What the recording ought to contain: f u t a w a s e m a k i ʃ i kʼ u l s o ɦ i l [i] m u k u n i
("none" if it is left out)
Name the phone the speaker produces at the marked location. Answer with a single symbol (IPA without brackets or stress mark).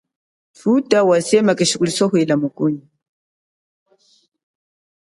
a